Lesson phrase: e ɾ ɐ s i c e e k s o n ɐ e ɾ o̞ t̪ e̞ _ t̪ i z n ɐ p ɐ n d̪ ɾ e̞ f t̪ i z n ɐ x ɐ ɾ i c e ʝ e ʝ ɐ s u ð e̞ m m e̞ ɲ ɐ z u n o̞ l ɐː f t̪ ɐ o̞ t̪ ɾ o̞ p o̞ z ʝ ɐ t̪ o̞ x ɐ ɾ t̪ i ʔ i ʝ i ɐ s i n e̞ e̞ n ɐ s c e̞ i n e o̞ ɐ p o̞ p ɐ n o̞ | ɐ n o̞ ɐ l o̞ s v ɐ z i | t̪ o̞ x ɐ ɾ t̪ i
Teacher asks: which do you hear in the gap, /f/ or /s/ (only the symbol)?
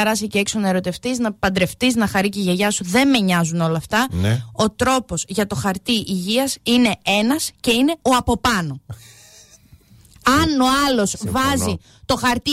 f